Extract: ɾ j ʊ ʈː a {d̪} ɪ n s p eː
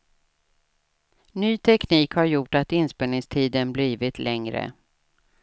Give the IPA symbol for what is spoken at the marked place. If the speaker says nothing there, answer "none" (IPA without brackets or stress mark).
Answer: t̪